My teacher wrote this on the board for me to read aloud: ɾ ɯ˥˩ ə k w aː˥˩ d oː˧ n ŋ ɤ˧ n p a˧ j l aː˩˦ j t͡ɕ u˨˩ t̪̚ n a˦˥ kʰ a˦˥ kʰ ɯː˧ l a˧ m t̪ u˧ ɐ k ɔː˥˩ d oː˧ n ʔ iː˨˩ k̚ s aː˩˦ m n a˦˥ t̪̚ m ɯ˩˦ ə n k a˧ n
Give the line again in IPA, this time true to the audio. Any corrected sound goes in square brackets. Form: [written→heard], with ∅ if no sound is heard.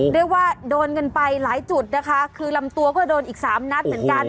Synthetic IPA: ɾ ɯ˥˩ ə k w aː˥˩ d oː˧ n ŋ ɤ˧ n p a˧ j l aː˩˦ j t͡ɕ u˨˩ t̪̚ n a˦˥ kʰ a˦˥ kʰ ɯː˧ l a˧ m t̪ u˧ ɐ k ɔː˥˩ d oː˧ n ʔ iː˨˩ k̚ s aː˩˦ m n a˦˥ t̪̚ m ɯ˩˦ ə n k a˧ n